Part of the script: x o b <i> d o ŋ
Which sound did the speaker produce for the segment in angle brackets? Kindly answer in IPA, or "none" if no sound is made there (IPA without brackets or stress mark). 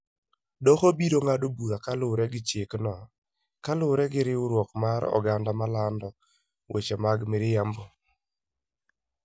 i